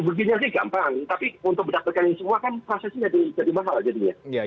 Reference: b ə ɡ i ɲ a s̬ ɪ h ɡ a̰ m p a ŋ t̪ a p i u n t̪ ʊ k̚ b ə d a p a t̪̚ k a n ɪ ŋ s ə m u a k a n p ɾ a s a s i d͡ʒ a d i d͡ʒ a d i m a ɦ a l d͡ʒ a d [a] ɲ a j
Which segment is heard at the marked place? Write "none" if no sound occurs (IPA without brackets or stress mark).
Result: i